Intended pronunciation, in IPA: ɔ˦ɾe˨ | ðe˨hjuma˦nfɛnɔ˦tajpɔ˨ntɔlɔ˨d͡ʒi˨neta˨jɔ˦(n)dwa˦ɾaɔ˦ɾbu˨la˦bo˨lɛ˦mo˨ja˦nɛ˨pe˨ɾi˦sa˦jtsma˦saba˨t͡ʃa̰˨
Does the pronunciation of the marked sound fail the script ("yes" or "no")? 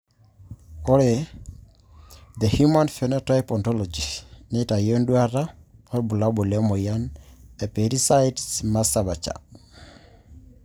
no